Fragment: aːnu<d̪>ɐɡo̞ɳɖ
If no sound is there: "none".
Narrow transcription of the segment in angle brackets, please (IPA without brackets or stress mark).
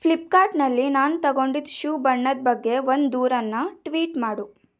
t̪